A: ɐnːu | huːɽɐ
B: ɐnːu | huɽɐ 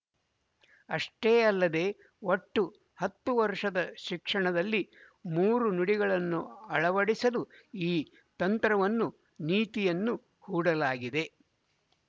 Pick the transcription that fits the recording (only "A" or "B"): A